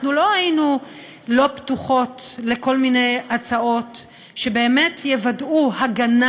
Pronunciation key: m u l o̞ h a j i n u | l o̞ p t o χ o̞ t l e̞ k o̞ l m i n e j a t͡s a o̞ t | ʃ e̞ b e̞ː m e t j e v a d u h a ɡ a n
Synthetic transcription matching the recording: n u l o̞ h a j i n u | l o̞ p t u χ o̞ t l e̞ k o̞ l m i n e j a t͡s a o̞ t | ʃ e̞ b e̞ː m e t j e v a d u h a ɡ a n